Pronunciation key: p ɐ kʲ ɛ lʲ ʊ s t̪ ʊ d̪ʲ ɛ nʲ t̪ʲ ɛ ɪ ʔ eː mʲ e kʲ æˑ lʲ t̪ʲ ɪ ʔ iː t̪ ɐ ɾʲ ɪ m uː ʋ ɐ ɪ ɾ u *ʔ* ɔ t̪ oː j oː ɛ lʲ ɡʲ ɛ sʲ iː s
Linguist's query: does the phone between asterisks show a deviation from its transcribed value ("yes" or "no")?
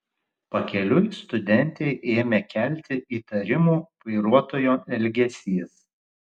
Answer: yes